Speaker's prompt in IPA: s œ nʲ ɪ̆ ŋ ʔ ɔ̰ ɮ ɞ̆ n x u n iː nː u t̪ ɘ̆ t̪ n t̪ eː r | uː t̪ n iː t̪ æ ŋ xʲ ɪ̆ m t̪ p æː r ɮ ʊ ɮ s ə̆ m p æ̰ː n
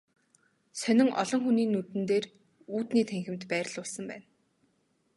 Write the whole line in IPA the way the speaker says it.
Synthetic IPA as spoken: s œ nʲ ɪ̆ ŋ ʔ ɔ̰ ɮ ɞ̆ ŋ x u n iː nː u t̪ ɘ̆ n t̪ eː r | uː t̪ n iː t̪ʰ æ ŋ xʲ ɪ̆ m t̪ p æː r ɮ ʊ ɮ s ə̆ m p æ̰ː n